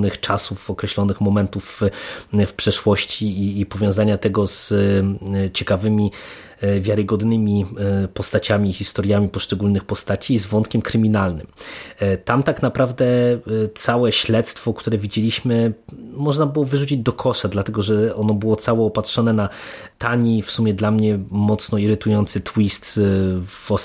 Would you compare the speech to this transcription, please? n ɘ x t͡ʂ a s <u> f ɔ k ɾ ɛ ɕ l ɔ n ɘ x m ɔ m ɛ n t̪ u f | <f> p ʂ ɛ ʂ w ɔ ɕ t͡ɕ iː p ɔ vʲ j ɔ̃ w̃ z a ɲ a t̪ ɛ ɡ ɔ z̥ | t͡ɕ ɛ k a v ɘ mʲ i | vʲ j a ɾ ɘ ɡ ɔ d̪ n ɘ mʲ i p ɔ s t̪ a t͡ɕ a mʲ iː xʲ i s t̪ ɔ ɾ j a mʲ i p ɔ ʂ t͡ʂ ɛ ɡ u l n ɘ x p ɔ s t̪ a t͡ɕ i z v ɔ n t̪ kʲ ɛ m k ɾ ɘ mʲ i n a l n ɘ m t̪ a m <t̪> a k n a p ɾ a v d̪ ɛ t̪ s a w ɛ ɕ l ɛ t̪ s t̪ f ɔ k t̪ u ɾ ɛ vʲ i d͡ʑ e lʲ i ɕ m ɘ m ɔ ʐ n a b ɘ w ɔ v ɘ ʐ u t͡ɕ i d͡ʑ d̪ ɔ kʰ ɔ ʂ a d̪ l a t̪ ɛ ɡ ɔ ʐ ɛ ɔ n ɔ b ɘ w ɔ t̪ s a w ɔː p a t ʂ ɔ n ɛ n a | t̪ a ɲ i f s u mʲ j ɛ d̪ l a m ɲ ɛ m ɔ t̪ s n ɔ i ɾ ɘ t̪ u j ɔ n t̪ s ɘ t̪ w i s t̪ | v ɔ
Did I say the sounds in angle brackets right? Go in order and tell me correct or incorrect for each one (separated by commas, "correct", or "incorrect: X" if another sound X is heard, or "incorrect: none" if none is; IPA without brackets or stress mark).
correct, correct, correct